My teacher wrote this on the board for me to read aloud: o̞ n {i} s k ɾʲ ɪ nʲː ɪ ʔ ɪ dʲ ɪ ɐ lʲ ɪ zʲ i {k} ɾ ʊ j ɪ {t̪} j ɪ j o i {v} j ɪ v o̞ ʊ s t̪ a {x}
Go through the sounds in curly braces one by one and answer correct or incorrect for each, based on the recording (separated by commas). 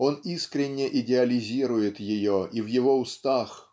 correct, incorrect, correct, correct, correct